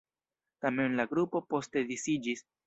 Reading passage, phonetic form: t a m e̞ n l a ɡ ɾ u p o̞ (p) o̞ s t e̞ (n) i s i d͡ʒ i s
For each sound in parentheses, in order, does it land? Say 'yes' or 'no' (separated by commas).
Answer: yes, no